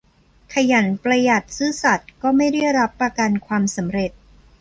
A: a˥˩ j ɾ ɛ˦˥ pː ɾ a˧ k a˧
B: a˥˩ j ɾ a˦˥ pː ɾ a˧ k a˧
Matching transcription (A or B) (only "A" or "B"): B